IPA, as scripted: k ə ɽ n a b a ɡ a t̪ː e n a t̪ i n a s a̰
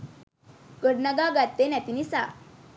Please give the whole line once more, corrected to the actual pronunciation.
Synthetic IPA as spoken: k ə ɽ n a ɡ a ɡ a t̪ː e n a t̪ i n i s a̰